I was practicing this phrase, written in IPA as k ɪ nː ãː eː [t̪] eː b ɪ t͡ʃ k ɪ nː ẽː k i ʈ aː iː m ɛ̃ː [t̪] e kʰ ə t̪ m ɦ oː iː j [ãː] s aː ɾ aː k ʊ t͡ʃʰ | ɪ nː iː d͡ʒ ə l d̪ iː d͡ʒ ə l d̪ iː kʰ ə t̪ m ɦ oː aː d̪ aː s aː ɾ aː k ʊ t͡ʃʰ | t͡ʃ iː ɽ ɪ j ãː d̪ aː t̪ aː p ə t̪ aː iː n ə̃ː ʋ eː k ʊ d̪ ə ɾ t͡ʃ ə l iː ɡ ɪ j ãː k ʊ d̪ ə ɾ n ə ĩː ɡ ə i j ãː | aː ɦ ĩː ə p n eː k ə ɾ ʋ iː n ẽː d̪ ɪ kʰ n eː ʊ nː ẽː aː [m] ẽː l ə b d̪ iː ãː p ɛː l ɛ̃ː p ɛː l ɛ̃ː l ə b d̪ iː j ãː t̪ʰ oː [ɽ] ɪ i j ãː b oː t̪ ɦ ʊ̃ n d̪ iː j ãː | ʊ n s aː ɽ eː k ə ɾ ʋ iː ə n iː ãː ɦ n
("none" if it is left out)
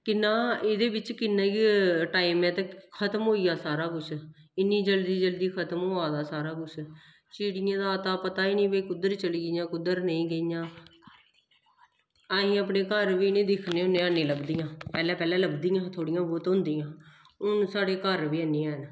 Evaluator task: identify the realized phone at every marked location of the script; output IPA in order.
d̪, t̪, aː, n, ɽ

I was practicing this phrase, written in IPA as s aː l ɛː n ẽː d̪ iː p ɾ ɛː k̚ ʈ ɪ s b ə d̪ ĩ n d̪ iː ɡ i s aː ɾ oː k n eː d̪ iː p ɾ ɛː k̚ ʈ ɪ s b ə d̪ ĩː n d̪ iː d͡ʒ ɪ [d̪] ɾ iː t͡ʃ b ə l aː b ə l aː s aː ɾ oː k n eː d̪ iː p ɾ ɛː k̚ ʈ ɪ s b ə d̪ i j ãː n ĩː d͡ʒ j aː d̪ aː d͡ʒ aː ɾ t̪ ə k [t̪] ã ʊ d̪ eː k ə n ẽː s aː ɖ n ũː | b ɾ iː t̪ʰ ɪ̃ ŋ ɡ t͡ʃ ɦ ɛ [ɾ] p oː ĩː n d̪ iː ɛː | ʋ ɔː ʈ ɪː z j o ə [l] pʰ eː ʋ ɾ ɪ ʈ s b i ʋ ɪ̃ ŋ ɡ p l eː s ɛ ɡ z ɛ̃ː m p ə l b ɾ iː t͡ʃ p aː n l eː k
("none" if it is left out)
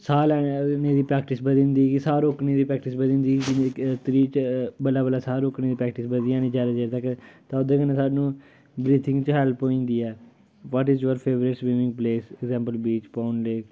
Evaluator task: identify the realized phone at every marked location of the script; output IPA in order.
t̪, t̪, l, ɾ

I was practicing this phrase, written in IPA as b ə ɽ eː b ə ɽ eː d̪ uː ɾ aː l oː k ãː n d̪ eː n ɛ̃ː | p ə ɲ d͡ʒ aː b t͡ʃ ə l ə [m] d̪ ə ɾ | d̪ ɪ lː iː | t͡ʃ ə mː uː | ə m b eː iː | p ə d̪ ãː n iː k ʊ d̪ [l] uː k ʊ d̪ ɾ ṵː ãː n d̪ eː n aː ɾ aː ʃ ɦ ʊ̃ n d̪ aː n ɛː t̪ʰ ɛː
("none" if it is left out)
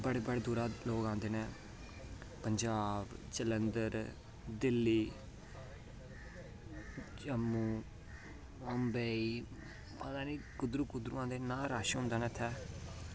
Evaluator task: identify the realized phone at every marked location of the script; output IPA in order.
n, ɾ

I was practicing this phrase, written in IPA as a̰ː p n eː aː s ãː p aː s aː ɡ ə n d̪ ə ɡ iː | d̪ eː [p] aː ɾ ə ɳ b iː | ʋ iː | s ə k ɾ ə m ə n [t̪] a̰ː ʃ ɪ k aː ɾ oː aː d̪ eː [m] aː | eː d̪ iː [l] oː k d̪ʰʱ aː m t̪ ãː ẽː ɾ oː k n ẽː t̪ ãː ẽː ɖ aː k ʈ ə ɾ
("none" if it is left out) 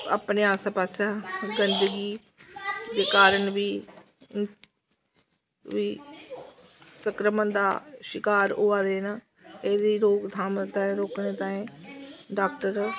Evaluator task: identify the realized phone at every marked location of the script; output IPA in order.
k, d̪, n, ɾ

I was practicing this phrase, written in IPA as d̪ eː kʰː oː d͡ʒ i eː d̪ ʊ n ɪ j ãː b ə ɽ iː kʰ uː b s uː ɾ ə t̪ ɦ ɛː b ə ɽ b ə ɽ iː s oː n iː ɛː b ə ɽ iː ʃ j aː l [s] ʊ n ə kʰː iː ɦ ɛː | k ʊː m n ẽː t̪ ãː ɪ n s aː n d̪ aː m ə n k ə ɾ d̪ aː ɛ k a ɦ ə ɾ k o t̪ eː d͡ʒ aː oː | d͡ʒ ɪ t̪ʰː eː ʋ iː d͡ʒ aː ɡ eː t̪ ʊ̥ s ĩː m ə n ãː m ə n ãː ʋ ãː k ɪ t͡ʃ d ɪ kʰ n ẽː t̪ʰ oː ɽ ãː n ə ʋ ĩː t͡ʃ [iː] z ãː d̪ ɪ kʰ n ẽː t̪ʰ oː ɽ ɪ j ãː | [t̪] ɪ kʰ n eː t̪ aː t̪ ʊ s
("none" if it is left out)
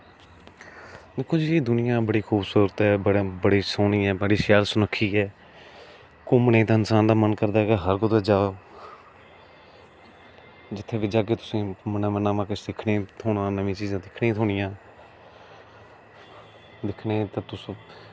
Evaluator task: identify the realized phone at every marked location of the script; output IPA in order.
s, iː, d̪

